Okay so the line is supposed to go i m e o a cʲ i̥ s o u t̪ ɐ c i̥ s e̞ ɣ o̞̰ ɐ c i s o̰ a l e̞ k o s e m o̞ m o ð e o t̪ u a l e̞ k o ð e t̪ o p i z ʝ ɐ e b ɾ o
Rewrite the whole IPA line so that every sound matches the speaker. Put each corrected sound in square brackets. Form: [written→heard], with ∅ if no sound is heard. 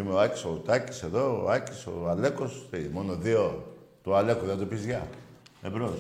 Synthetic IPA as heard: i m e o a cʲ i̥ s o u t̪ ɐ c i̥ s e̞ [ɣ→ð] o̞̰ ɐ c i s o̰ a l e̞ k o s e m o̞ [m→n] o ð [e→i] o t̪ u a l e̞ k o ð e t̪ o p i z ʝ ɐ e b ɾ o